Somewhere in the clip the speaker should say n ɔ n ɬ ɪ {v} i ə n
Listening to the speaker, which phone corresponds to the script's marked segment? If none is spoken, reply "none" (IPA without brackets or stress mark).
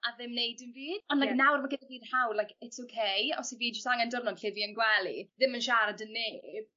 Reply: v